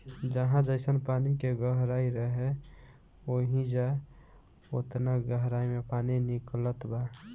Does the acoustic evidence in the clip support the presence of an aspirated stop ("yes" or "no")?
no